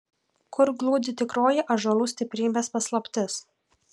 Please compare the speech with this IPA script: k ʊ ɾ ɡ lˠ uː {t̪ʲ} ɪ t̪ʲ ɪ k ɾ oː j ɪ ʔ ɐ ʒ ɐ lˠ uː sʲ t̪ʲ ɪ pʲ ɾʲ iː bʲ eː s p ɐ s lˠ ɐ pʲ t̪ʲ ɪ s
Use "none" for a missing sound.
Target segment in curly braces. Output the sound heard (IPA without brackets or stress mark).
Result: d̪ʲ